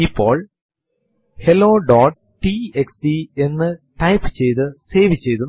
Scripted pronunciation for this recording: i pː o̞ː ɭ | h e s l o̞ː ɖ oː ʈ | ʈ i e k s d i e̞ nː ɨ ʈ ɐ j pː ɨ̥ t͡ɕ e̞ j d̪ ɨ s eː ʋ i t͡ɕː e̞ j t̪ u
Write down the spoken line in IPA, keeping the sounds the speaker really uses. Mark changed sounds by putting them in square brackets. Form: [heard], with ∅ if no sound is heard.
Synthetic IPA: i pː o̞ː ɭ | h e [∅] l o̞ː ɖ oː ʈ | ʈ i e k s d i e̞ nː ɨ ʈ ɐ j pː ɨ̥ t͡ɕ e̞ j [t̪] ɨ s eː ʋ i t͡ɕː e̞ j t̪ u